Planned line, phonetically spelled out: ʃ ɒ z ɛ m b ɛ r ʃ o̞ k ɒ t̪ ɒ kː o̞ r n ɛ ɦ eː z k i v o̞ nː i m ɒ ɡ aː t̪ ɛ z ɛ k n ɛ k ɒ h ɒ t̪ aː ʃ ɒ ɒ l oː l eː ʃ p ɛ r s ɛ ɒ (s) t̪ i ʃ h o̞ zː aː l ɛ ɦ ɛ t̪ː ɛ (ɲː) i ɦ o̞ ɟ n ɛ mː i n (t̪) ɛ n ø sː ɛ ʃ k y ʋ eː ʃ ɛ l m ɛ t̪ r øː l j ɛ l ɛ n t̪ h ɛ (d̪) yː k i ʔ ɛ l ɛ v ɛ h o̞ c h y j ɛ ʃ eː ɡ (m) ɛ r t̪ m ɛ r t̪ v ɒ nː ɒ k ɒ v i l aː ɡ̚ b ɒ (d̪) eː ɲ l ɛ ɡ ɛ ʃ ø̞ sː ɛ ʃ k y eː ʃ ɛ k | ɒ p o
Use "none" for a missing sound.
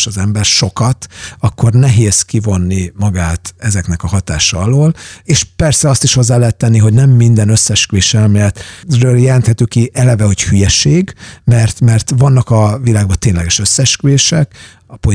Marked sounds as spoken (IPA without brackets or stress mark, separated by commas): s, nː, d̪, t̪, m, t̪